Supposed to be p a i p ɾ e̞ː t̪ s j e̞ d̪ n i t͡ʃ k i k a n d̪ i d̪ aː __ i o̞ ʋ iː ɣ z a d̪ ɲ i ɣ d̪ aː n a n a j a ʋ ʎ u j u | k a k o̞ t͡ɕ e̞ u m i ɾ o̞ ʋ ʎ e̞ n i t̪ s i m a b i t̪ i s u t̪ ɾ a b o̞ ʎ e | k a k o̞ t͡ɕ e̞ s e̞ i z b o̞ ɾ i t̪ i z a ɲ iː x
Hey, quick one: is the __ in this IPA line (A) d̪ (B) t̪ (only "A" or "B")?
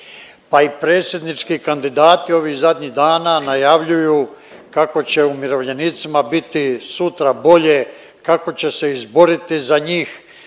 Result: B